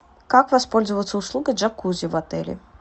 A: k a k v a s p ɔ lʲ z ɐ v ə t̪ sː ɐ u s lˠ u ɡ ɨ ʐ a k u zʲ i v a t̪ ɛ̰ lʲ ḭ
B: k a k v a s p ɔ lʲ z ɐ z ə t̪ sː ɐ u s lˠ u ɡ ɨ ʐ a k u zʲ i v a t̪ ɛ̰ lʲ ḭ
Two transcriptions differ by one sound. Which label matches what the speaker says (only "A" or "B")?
A